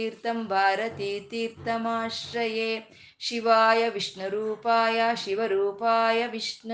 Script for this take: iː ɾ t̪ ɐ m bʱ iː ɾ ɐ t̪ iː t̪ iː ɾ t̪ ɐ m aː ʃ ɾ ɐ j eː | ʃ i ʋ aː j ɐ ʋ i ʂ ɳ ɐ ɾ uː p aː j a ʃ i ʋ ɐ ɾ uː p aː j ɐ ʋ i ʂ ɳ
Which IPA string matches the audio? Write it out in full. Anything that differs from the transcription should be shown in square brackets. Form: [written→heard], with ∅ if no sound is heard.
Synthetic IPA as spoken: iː ɾ t̪ ɐ m bʱ [iː→aː] ɾ ɐ t̪ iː t̪ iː ɾ t̪ ɐ m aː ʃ ɾ ɐ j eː | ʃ i ʋ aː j ɐ ʋ i ʂ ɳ ɐ ɾ uː p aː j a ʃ i ʋ ɐ ɾ uː p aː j ɐ ʋ i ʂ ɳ